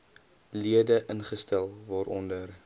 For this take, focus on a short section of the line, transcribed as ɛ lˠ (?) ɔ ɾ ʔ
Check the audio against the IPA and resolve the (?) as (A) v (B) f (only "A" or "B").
A